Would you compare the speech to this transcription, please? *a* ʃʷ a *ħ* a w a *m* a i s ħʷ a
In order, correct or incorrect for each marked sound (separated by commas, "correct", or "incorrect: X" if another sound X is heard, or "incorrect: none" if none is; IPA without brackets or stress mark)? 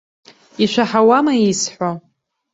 incorrect: i, correct, correct